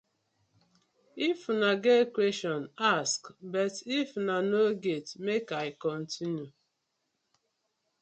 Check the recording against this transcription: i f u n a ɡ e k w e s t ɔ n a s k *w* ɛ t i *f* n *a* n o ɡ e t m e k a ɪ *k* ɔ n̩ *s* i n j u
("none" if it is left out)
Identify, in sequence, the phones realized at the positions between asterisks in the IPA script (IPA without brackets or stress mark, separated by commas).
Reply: b, f, a, k, t